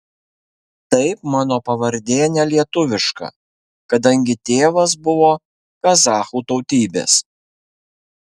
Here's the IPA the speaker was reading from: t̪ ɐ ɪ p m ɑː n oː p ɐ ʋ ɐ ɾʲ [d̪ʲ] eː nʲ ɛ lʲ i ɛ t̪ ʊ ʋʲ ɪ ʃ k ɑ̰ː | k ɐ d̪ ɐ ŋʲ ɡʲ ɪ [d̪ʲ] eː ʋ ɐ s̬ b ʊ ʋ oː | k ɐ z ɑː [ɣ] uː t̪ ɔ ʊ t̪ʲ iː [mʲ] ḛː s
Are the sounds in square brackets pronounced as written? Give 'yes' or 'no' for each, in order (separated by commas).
yes, no, no, no